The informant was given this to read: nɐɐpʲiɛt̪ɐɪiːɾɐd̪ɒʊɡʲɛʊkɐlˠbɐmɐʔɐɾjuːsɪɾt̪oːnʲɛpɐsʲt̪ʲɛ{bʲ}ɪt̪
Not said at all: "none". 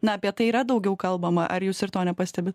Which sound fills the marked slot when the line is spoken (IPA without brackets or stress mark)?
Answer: bʲ